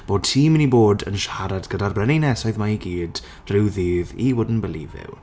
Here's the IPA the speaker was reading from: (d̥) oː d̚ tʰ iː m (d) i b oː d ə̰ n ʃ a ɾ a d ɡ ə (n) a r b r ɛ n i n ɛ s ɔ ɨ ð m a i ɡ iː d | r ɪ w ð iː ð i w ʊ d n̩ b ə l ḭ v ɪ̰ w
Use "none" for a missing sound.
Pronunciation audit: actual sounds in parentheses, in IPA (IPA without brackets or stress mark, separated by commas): b̥, n, d